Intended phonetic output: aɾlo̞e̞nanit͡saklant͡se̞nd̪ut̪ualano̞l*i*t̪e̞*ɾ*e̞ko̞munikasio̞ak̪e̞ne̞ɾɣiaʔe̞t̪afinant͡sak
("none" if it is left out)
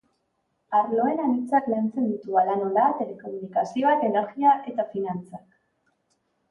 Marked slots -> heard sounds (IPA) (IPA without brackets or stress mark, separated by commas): a, l